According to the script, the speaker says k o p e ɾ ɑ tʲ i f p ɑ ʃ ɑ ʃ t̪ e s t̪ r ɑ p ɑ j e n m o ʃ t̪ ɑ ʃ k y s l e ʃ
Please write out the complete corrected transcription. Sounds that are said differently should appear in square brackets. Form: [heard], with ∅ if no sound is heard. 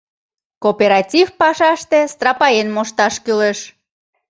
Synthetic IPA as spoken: k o p e ɾ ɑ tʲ i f p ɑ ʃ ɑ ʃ t̪ e s t̪ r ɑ p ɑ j e n m o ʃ t̪ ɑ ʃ k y [∅] l e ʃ